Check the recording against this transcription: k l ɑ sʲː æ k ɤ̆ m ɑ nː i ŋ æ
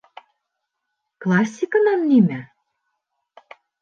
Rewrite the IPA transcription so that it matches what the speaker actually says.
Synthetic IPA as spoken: k l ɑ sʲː i k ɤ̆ n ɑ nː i m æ